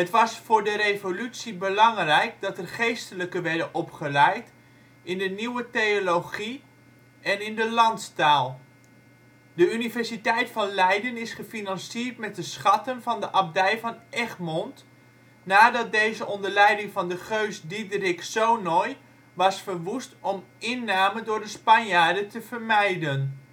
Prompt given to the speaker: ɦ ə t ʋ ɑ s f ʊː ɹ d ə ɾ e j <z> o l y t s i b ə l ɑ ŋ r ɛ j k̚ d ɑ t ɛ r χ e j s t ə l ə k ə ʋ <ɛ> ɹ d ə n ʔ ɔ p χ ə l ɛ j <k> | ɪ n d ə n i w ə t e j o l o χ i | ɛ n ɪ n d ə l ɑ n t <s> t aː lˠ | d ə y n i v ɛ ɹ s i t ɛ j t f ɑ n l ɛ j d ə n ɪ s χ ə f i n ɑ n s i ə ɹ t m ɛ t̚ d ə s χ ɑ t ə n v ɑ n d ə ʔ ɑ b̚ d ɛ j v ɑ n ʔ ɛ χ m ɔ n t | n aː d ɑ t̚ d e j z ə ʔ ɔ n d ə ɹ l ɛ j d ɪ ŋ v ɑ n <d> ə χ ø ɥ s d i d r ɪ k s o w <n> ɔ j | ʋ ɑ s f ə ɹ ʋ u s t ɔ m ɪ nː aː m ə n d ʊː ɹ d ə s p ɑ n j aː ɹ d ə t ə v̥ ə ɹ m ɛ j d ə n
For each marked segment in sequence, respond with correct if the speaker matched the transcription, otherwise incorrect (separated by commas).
incorrect, correct, incorrect, correct, correct, correct